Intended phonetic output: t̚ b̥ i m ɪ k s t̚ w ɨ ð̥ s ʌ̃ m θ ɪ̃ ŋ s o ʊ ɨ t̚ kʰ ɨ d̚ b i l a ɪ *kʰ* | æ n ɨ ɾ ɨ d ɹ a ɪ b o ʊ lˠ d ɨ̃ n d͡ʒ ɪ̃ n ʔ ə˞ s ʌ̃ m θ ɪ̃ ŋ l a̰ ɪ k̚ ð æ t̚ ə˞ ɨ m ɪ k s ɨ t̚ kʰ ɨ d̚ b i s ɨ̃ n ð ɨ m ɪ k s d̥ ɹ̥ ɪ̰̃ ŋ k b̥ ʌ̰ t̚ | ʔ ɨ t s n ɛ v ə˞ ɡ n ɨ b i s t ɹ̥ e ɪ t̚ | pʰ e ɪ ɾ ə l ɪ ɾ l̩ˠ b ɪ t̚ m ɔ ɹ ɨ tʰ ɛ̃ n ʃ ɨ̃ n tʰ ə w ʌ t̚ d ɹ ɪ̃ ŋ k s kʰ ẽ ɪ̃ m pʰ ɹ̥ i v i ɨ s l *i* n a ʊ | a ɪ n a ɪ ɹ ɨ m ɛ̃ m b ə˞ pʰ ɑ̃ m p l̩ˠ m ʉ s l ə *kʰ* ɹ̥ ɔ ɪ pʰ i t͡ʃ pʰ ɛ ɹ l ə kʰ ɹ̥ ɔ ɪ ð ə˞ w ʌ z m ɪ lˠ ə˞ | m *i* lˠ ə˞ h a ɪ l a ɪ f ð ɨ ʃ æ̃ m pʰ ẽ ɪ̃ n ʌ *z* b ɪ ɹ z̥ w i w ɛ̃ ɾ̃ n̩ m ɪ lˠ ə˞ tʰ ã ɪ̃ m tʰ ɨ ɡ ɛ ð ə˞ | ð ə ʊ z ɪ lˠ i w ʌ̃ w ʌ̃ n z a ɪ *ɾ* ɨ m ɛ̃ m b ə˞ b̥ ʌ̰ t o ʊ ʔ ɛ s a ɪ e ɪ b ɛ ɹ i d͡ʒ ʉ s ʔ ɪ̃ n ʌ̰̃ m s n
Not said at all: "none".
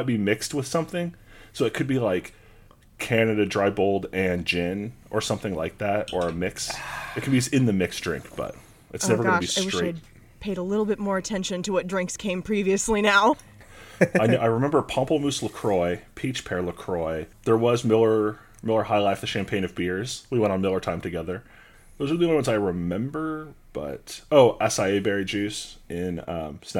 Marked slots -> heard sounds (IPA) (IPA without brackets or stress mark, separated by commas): kʰ, i, kʰ, ɪ, v, ɹ